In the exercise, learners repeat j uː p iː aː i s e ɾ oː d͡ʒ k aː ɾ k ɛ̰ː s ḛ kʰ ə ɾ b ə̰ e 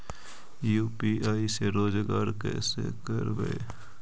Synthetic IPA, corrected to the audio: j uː p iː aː i s e ɾ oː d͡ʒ ɡ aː ɾ k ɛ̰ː s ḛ k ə ɾ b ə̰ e